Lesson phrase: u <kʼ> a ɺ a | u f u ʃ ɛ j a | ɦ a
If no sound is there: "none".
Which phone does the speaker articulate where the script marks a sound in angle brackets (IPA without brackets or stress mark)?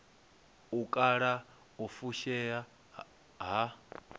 kʼ